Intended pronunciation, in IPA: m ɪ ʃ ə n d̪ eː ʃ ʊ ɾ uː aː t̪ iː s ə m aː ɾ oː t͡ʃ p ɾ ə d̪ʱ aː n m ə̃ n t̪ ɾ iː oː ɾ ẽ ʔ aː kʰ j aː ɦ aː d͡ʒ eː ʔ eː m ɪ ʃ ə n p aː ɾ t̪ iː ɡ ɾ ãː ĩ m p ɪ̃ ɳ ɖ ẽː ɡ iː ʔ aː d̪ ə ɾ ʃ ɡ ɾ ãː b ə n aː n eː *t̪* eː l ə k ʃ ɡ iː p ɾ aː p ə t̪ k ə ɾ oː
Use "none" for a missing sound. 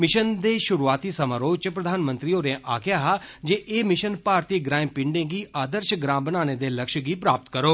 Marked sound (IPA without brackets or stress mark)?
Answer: d̪